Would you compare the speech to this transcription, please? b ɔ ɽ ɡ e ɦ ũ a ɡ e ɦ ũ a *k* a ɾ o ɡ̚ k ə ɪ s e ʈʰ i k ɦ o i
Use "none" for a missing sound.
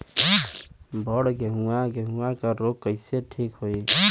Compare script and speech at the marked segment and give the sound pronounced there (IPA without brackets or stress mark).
k